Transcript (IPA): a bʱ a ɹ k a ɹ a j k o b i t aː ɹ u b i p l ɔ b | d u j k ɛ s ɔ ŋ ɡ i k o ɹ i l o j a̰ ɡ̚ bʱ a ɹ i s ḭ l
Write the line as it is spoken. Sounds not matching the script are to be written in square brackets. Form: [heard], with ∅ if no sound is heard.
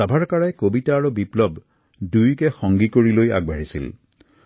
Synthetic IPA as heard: a bʱ a ɹ k a ɹ a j k o b i t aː ɹ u b i p l ɔ b | d u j k ɛ [x] ɔ ŋ ɡ i k o ɹ i l o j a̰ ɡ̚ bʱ a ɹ i s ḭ l